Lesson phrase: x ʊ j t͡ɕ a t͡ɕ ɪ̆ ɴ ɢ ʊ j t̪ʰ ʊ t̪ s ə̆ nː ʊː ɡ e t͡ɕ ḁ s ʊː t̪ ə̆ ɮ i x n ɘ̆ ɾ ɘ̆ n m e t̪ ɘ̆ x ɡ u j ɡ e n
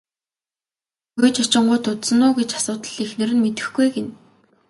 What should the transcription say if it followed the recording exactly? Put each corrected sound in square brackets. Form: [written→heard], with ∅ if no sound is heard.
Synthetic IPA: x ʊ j t͡ɕ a t͡ɕ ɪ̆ ɴ ɢ ʊ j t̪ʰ ʊ t̪ s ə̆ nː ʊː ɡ e t͡ɕ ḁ s ʊː t̪ ə̆ ɮ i x n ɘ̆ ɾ ɘ̆ n m e t̪ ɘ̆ x ɡ u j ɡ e n